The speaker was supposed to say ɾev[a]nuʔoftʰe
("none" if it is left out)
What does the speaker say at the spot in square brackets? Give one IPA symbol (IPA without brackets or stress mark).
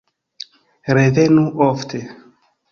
e